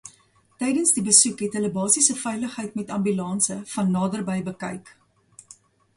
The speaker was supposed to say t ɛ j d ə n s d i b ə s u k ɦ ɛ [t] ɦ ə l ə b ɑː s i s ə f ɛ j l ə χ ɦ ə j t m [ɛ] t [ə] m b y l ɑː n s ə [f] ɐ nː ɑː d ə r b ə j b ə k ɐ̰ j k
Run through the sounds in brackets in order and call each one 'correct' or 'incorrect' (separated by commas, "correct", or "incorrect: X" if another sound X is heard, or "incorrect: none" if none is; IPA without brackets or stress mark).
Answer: correct, correct, incorrect: ɐ, correct